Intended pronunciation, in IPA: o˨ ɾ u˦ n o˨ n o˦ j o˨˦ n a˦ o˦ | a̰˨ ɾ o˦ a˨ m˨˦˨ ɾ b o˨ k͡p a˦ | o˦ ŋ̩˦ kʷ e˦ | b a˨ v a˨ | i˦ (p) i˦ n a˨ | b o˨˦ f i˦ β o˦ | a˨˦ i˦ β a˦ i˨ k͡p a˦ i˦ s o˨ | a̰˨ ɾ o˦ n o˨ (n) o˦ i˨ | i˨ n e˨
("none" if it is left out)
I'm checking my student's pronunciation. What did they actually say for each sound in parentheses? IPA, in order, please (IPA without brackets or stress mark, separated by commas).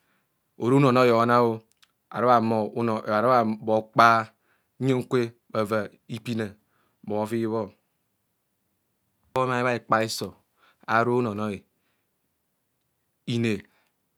p, n